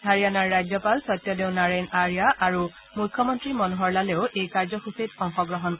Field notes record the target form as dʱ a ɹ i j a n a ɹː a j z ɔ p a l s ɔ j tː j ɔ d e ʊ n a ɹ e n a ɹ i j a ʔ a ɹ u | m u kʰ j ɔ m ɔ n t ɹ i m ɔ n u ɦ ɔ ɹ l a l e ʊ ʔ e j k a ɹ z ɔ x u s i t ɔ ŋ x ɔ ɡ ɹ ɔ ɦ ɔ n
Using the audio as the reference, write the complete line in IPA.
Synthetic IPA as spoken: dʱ a ɹ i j a n a ɹː a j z ɔ p a l s ɔ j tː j ɔ d e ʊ n a ɹ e n a ɹ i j a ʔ a ɹ u | m u kʰ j ɔ m ɔ n t ɹ i m ɔ n u ɦ ɔ ɹ l a l e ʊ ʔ e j k a ɹ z ɔ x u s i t ɔ ŋ x ɔ ɡ ɹ ɔ ɦ ɔ n

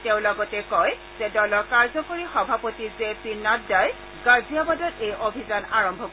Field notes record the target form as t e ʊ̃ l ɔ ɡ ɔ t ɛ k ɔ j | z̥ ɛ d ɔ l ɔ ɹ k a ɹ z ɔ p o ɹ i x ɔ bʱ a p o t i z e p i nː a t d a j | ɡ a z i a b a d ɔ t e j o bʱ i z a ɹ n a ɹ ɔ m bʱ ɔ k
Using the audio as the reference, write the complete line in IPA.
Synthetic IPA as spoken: t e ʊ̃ l ɔ ɡ ɔ t ɛ k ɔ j | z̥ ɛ d ɔ l ɔ ɹ k a ɹ z ɔ k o ɹ i x ɔ bʱ a p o t i z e p i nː a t d a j | ɡ a z i a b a d ɔ t e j o bʱ i z a n a ɹ ɔ m bʱ ɔ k

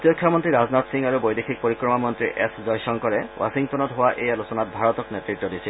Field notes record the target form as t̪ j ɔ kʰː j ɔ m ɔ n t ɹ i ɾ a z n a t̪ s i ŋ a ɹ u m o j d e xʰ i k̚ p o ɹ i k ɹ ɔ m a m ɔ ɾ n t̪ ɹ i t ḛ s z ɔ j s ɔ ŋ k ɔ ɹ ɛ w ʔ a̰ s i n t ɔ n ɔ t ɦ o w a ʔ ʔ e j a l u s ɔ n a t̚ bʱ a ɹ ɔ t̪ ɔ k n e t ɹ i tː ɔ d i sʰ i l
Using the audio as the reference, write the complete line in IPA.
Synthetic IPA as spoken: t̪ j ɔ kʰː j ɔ m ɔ n t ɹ i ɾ a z n a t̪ s i ŋ a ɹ u b o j d e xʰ i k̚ p o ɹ i k ɹ ɔ m a m ɔ n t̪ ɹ i ʔ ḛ s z ɔ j s ɔ ŋ k ɔ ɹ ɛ w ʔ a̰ s i ŋ t ɔ n ɔ t ɦ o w a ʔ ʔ e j a l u s ɔ n a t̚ bʱ a ɹ ɔ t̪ ɔ k n e t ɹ i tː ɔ d i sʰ i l

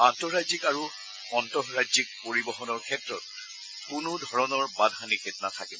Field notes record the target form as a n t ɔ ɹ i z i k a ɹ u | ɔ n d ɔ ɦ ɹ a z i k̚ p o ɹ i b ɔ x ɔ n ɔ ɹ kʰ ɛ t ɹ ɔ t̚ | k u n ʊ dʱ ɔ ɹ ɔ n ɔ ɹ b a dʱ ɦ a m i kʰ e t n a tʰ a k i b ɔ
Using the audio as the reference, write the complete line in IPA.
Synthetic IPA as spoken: a n t ɔ ɹ a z i k a ɹ u | ɔ n t ɔ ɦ ɹ a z i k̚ p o ɹ i b ɔ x ɔ n ɔ ɹ kʰ ɛ t ɹ ɔ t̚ | k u n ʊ dʱ ɔ ɹ ɔ n ɔ ɹ b a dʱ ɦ a n i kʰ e t n a tʰ a k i b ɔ

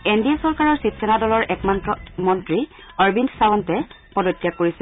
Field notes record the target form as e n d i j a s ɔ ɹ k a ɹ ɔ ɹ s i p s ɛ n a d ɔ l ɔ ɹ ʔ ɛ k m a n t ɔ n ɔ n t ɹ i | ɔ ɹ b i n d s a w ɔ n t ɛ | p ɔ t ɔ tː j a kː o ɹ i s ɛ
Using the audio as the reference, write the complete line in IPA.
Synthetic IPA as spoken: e n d i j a s ɔ ɹ k a ɹ ɔ ɹ s i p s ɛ n a d ɔ l ɔ ɹ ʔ ɛ k m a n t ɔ m ɔ n t ɹ i | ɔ ɹ b i n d s a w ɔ n t ɛ | p ɔ d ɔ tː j a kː o ɹ i s ɛ

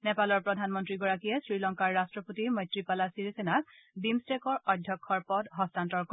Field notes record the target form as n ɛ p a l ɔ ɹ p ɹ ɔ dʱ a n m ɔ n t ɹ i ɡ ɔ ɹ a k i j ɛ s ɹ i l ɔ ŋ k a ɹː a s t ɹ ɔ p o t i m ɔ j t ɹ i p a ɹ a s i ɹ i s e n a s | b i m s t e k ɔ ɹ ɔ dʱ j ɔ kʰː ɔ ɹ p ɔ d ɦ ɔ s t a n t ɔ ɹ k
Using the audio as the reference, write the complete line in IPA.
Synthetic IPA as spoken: n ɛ p a l ɔ ɹ p ɹ ɔ dʱ a n m ɔ n t ɹ i ɡ ɔ ɹ a k i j ɛ s ɹ i l ɔ ŋ k a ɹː a s t ɹ ɔ p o t i m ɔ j t ɹ i p a l a s i ɹ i s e n a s | b i m s t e k ɔ ɹ ɔ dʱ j ɔ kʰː ɔ ɹ p ɔ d ɦ ɔ s t a n t ɔ ɹ k

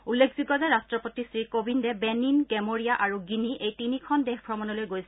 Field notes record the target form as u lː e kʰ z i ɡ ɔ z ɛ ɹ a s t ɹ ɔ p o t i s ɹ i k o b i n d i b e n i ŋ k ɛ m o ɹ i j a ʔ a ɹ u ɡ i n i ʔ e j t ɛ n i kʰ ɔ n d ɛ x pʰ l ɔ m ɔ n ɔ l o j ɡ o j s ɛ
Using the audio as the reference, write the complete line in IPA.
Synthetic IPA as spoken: u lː e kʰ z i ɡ ɔ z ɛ ɹ a s t ɹ ɔ p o t i s ɹ i k o b i n d ɛ b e n i n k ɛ m o ɹ i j a ʔ a ɹ u ɡ i n i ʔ e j t i n i kʰ ɔ n d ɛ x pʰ ɹ ɔ m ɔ n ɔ l o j ɡ o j s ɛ

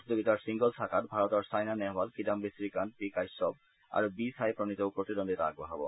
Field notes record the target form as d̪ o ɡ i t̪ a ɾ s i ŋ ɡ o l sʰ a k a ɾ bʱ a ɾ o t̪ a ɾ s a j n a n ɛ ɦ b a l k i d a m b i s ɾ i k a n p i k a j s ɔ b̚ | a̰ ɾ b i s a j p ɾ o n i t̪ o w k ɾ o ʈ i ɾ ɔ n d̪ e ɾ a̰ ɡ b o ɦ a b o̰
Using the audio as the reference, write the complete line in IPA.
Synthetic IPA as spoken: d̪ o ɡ i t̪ a ɾ s i ŋ ɡ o l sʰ a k a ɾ bʱ a ɾ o t̪ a ɾ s a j n a n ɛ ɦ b a l k i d a m b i s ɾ i k a n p i k a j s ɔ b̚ | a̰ ɾ b i s a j p ɾ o n i t̪ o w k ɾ o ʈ i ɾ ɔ n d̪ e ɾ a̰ ɡ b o ɦ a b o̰

